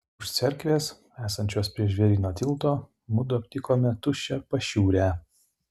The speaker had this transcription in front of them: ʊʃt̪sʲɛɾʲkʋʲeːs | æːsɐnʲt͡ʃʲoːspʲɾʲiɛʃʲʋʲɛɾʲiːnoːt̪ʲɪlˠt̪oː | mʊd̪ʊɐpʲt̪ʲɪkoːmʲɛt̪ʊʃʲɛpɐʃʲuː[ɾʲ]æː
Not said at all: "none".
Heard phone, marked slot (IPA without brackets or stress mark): ɾʲ